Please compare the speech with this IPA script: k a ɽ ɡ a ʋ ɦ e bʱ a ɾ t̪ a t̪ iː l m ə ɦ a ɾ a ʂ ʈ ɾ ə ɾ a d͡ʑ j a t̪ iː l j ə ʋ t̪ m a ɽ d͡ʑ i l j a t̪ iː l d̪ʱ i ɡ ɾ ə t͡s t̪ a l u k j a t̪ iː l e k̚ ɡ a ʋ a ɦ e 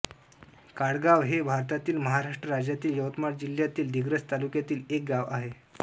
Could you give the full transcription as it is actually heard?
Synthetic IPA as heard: k a ɽ ɡ a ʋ ɦ e bʱ a ɾ t̪ a t̪ iː l m ə ɦ a ɾ a ʂ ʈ ɾ ə ɾ a d͡ʑ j a t̪ iː l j ə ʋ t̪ m a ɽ d͡ʑ i l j a t̪ iː l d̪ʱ i ɡ ɾ ə t͡s t̪ a l u k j a t̪ iː l e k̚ ɡ a ʋ a ɦ e